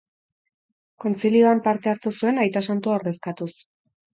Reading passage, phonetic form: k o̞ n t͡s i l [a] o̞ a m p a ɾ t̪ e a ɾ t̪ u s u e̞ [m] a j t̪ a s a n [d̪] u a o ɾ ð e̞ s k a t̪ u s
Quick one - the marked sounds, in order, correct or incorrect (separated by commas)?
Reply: incorrect, incorrect, incorrect